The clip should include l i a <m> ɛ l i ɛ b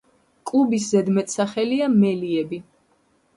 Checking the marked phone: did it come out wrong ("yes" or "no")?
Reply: no